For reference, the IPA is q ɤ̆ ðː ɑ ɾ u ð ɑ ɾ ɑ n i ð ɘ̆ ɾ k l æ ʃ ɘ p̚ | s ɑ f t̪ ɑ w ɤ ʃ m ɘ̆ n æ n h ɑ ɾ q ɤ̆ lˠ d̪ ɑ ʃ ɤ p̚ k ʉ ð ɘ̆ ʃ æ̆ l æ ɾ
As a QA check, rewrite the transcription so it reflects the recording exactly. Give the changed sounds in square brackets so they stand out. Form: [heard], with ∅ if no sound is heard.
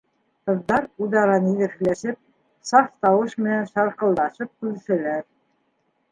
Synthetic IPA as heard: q ɤ̆ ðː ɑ ɾ u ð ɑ ɾ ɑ n i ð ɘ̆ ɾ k l æ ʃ ɘ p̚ | s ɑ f t̪ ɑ w ɤ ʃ m ɘ̆ n æ n [ʃ] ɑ ɾ q ɤ̆ lˠ d̪ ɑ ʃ ɤ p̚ k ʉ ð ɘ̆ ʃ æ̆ l æ ɾ